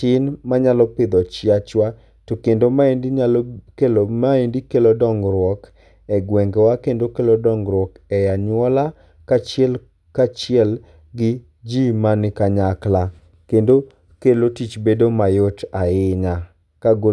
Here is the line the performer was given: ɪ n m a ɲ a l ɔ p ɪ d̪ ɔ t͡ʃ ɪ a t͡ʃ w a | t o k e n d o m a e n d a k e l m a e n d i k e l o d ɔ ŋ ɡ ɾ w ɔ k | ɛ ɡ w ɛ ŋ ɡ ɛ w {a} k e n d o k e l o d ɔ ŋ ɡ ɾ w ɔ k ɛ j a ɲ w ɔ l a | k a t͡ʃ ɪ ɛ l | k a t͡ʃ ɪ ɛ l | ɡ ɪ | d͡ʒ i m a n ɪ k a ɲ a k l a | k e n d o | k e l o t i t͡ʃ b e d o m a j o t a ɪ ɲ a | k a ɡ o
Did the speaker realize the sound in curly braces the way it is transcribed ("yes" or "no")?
yes